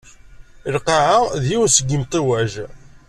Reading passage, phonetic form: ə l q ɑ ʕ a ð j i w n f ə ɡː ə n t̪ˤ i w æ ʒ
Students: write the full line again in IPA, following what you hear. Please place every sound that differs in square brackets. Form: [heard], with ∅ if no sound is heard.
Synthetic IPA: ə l q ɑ ʕ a ð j i w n [s] ə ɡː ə [m] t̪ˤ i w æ ʒ